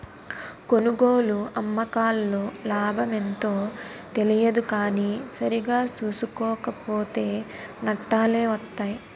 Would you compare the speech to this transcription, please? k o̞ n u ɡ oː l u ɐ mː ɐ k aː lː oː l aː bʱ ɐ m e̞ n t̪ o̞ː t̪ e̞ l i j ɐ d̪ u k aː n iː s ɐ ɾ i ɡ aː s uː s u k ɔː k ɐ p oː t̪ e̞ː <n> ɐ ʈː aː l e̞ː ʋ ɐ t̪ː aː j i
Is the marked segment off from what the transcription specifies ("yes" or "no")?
no